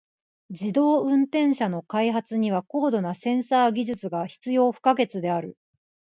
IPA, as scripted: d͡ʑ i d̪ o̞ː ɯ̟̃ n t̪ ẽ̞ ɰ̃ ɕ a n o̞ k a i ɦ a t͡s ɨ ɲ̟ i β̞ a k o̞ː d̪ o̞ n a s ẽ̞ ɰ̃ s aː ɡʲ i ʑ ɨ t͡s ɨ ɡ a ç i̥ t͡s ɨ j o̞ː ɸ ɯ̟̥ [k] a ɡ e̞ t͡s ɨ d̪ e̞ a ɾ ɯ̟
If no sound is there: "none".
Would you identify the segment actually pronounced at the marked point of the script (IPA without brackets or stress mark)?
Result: k